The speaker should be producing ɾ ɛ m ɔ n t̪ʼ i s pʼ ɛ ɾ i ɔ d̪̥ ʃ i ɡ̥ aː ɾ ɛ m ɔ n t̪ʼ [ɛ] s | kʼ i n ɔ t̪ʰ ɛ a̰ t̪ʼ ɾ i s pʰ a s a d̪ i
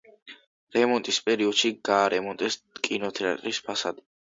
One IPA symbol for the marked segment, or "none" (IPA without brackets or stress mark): ɛ